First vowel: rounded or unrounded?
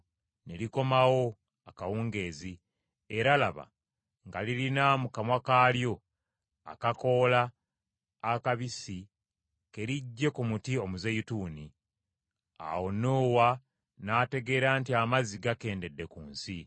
unrounded